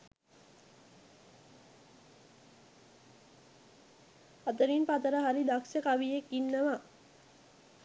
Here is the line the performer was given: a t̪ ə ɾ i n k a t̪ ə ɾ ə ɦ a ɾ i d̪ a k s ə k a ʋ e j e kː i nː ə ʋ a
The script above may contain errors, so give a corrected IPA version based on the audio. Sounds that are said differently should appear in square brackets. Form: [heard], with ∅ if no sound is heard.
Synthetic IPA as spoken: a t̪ ə ɾ i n [p] a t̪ ə ɾ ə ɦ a ɾ i d̪ a k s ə k a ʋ [i] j e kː i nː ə ʋ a

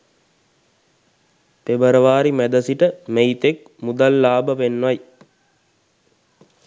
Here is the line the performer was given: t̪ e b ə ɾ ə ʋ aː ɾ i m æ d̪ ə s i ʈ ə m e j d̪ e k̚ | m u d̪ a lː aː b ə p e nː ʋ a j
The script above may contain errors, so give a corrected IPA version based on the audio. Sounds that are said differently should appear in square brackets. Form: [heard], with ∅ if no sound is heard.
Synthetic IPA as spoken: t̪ e b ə ɾ ə ʋ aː ɾ i m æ d̪ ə s i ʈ ə m e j [t̪] e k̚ | m u d̪ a lː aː b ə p e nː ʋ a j

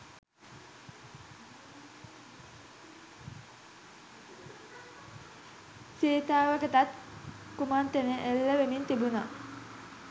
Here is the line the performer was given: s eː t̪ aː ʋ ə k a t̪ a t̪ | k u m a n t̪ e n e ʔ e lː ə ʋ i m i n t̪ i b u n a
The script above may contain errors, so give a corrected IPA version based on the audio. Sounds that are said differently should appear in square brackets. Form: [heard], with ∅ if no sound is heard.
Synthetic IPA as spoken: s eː t̪ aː ʋ ə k [ə] t̪ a t̪ | k u m a n t̪ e n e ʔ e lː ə ʋ [e] m i n t̪ i b u n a

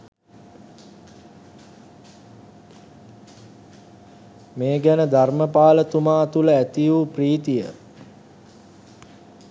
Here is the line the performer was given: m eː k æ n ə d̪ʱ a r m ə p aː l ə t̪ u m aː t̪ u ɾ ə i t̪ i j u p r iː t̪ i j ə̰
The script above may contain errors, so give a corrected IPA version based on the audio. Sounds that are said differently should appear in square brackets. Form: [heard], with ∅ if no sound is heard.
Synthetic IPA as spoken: m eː [ɡ] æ n ə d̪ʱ a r m ə p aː l ə t̪ u m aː t̪ u [l] ə [æ] t̪ i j u p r iː t̪ i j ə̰

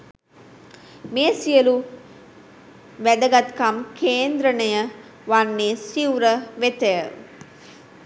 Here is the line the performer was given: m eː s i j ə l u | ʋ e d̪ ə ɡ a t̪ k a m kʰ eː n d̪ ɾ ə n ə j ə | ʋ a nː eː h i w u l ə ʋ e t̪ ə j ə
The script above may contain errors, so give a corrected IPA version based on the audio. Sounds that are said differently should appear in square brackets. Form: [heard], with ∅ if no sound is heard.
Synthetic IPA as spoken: m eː s i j ə l u | ʋ [æ] d̪ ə ɡ a t̪ k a m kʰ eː n d̪ ɾ ə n ə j ə | ʋ a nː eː [s] i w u [ɾ] ə ʋ e t̪ ə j ə

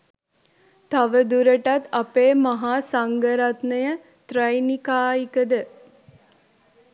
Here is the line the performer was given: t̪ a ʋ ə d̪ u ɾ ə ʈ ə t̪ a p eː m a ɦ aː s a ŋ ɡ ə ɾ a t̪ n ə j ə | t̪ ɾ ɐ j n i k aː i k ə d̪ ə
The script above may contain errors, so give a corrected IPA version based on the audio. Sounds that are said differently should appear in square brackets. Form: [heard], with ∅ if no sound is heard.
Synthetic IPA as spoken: t̪ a ʋ ə d̪ u ɾ ə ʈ [a] t̪ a p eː m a ɦ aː s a ŋ ɡ ə ɾ a t̪ n ə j ə | t̪ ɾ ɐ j n i k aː i k ə d̪ ə

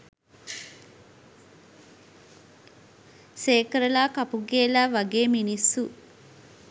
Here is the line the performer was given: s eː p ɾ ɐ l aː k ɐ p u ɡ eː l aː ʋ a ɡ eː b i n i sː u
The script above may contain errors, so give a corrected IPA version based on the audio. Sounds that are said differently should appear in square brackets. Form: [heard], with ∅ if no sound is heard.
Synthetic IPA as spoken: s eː [k] ɾ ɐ l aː k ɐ p u ɡ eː l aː ʋ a ɡ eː [m] i n i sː u

